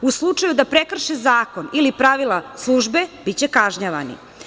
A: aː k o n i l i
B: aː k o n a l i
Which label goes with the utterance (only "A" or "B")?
A